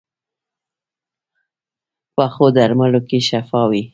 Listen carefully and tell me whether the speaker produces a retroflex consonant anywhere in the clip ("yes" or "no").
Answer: no